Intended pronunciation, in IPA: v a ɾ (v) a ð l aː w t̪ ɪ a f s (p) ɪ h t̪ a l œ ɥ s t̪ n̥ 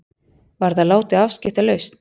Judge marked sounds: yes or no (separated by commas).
no, no